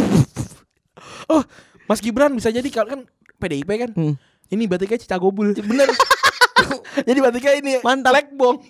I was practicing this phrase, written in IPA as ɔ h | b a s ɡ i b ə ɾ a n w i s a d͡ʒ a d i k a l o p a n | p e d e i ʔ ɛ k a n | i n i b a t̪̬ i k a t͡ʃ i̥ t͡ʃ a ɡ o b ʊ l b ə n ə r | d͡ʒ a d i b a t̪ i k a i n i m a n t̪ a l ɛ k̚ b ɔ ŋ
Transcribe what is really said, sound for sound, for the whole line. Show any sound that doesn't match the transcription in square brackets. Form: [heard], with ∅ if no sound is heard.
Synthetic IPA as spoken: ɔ h | [m] a s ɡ i b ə ɾ a n [b] i s a d͡ʒ a d i k a l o [k] a n | p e d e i [p] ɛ k a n | i n i b a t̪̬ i k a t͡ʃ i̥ t͡ʃ a ɡ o b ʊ l b ə n ə r | d͡ʒ a d i b a t̪ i k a i n i m a n t̪ a l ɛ k̚ b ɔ ŋ